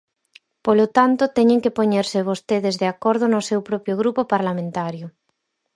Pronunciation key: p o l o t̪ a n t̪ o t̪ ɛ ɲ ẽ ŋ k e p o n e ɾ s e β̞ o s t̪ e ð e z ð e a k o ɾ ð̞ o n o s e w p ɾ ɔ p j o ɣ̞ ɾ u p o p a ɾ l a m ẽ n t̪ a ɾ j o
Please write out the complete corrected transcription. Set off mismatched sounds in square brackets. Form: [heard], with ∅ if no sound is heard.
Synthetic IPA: p o l o t̪ a n t̪ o t̪ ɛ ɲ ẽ ŋ k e p o [ɲ] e ɾ s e β̞ o s t̪ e ð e z ð e a k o ɾ ð̞ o n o s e w p ɾ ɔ p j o ɣ̞ ɾ u p o p a ɾ l a m ẽ n t̪ a ɾ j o